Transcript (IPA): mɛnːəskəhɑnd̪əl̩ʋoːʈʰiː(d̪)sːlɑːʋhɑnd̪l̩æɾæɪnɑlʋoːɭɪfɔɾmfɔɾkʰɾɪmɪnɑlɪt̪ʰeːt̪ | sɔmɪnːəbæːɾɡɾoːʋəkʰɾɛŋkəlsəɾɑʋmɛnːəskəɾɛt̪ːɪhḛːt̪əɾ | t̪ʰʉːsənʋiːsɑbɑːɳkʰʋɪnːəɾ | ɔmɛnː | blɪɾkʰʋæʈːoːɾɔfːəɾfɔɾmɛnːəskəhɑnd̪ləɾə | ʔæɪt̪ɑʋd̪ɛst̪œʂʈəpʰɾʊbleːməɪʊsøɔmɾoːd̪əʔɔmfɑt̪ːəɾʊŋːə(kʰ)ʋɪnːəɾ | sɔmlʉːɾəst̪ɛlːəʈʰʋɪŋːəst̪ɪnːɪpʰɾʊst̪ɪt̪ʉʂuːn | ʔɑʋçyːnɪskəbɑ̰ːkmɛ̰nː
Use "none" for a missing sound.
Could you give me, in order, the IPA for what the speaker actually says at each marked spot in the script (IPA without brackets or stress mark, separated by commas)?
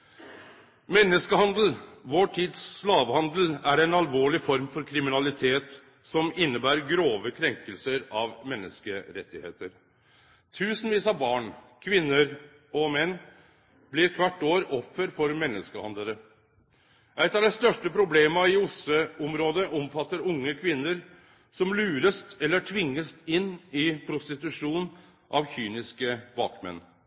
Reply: d̪, kʰ